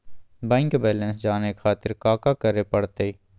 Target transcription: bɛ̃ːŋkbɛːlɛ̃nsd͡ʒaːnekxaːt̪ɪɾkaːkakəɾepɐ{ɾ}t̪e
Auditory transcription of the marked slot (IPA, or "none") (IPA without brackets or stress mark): ɽ